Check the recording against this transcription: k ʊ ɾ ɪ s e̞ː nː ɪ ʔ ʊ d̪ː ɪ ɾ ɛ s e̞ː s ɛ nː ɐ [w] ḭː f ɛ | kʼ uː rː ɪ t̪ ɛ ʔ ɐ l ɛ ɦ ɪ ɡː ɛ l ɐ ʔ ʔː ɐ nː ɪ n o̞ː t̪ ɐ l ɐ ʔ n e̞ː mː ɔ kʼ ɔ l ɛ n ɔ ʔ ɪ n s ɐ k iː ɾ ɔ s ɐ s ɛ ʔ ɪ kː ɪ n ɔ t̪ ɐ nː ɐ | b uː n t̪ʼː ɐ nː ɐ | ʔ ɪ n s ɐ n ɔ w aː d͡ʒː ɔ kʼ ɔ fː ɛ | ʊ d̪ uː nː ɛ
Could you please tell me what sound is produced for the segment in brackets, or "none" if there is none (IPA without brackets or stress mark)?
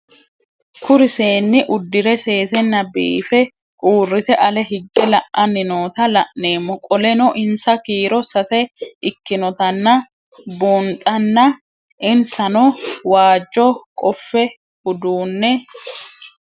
b